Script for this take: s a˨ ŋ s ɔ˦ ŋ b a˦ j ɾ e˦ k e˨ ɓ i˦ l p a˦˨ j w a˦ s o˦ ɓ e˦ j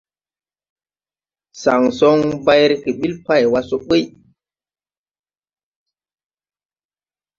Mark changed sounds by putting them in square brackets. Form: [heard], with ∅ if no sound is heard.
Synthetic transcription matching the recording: s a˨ ŋ s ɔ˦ ŋ b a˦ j ɾ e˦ k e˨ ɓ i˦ l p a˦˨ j w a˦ s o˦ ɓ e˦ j